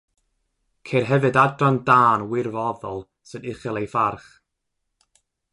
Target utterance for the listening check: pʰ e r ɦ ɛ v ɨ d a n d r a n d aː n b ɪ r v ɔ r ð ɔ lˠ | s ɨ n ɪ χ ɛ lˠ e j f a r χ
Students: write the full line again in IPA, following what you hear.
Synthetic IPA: kʰ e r ɦ ɛ v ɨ d a d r a n d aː n w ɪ r v ɔ ð ɔ lˠ | s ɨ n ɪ χ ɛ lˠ e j f a r χ